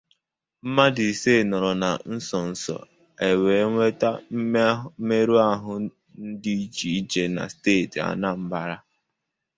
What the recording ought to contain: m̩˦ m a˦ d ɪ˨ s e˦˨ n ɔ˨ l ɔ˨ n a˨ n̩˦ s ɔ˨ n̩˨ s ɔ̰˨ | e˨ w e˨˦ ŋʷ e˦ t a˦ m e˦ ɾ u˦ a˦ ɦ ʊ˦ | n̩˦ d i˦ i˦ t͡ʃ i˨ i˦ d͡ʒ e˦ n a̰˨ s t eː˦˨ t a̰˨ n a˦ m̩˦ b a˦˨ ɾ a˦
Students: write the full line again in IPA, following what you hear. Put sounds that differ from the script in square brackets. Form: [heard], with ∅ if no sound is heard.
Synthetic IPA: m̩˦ m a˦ d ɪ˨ s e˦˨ n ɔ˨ [ɾ] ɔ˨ n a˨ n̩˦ s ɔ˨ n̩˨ s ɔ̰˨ | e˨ w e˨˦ ŋʷ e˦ t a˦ m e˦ ɾ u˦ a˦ ɦ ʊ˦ | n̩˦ d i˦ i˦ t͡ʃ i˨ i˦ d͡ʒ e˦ n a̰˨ s t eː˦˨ t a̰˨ n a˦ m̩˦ b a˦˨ ɾ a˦